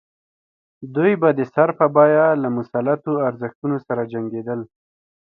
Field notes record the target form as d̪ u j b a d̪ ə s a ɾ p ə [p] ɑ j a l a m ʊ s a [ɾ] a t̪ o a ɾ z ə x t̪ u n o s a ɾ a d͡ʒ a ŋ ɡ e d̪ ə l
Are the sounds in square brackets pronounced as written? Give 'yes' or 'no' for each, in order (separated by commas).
no, no